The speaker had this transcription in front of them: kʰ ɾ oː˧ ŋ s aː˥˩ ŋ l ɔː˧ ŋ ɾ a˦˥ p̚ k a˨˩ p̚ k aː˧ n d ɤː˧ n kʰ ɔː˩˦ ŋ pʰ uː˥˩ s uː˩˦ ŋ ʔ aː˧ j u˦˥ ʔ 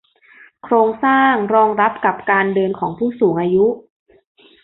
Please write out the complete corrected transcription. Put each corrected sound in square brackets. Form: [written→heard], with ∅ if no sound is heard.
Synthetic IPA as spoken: kʰ ɾ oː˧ ŋ s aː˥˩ ŋ [l→ɾ] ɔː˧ ŋ ɾ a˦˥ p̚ k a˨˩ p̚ k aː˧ n d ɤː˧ n kʰ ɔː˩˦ ŋ pʰ uː˥˩ s uː˩˦ ŋ ʔ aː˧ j u˦˥ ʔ